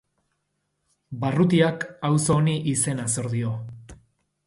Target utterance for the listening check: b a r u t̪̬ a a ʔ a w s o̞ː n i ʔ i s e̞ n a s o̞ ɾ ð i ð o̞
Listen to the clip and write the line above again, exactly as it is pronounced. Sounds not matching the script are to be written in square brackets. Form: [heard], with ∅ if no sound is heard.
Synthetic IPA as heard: b a r u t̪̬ [i] a [k] a w s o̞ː n i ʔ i s e̞ n a s o̞ ɾ ð i [∅] o̞

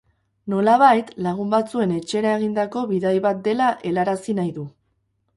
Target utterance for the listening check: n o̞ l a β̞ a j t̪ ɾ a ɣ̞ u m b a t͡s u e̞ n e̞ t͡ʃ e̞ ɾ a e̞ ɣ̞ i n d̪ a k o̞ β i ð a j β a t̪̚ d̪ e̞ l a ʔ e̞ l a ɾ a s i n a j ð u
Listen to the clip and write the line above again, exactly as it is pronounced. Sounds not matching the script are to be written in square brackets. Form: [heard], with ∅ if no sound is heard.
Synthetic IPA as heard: n o̞ l a β̞ a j t̪ [l] a ɣ̞ u m b a t͡s u e̞ n e̞ t͡ʃ e̞ ɾ a e̞ ɣ̞ i n d̪ a k o̞ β i ð a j β a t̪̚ d̪ e̞ l a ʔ e̞ l a ɾ a s i n a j ð u

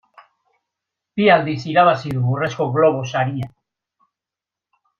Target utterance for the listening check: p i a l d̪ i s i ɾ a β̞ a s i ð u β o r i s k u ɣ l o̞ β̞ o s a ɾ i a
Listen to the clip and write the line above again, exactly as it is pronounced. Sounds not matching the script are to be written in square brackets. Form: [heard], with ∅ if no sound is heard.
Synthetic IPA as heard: p i a l d̪ i s i ɾ a β̞ a s i ð u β [u] r [e] s k [o] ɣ l o̞ β̞ o s a ɾ i a

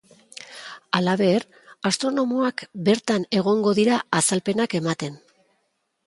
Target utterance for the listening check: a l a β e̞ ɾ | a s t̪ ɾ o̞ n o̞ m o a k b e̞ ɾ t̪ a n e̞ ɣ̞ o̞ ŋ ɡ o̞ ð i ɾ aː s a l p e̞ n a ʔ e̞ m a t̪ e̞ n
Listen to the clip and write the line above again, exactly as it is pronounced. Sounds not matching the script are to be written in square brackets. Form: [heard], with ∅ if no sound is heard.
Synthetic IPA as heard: a l a β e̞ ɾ | a s t̪ ɾ o̞ n o̞ m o a k b e̞ ɾ t̪ a n e̞ ɣ̞ o̞ ŋ ɡ o̞ ð i ɾ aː s a l p e̞ n a [k] e̞ m a t̪ e̞ n

